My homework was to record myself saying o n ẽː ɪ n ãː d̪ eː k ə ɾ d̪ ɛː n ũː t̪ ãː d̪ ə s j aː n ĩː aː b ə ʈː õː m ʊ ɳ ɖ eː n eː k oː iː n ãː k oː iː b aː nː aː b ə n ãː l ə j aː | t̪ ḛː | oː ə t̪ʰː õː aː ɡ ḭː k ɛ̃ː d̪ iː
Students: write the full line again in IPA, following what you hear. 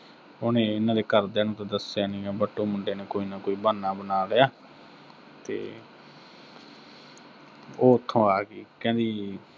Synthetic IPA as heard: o n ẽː ɪ n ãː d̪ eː k ə ɾ d̪ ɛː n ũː t̪ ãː d̪ ə s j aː n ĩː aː b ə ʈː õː m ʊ ɳ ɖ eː n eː k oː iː n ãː k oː iː b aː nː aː b ə n aː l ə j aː | t̪ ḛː | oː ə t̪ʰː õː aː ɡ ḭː k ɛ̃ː d̪ iː